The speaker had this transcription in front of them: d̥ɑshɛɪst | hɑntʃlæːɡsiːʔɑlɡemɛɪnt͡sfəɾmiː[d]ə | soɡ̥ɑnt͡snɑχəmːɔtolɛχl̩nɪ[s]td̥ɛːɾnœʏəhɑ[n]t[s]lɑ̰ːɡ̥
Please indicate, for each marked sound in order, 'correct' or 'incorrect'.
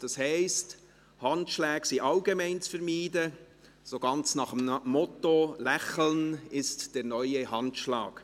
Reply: correct, correct, correct, incorrect: ʃ

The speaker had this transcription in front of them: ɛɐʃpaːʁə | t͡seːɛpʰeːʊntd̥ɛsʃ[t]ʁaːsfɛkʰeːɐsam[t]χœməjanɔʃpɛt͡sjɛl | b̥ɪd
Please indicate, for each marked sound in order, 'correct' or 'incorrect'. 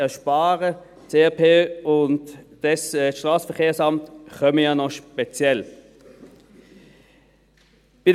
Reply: correct, correct

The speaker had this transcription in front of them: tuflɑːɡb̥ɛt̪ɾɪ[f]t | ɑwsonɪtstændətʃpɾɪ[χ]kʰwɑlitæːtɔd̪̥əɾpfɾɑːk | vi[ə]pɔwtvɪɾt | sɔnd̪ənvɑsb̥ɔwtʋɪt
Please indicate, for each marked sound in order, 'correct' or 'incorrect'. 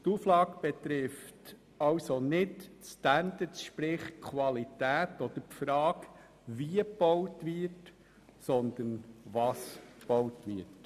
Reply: correct, correct, correct

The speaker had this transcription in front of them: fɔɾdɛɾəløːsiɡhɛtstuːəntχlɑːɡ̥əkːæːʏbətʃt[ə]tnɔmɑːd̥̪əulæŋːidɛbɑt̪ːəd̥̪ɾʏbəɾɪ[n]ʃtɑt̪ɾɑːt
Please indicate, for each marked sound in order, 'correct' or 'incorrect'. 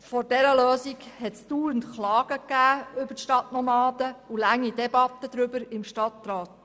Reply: incorrect: ɑ, incorrect: m

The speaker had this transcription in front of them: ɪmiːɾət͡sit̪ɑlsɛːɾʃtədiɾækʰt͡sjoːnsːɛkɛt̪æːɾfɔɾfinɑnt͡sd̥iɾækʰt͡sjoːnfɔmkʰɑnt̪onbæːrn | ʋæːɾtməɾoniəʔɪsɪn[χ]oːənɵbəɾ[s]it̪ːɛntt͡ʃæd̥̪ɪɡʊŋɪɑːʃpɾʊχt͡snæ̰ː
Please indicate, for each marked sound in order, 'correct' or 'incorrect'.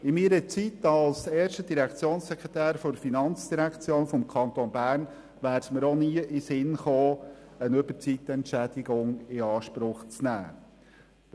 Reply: correct, incorrect: t͡s

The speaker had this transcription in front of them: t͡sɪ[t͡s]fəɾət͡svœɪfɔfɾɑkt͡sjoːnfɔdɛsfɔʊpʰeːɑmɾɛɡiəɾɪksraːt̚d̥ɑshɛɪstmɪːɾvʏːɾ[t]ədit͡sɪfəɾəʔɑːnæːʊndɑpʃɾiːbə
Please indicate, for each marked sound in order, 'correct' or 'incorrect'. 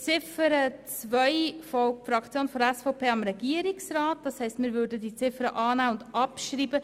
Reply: incorrect: none, incorrect: d

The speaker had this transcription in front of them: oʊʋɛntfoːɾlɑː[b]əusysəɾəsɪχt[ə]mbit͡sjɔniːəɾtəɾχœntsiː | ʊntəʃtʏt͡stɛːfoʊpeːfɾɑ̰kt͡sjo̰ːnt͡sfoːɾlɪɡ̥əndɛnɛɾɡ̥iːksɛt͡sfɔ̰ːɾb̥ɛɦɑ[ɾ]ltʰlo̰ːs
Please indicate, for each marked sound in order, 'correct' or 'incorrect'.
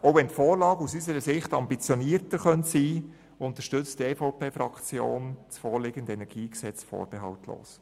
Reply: incorrect: ɡ, incorrect: ɑ, incorrect: none

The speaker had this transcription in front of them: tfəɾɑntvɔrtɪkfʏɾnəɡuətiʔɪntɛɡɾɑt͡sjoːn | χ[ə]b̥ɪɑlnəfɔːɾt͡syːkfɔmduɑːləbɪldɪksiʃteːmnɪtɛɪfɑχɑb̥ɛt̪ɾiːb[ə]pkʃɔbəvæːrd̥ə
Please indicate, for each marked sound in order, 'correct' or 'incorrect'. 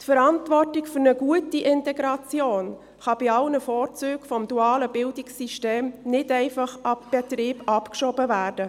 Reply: incorrect: ɑ, incorrect: ɑ

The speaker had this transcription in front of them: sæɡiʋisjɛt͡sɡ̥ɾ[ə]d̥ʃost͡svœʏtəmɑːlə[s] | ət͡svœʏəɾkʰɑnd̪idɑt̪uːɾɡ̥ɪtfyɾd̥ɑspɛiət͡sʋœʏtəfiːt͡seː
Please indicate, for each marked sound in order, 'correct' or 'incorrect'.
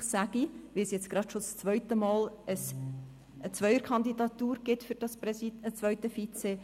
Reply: incorrect: ɑ, correct

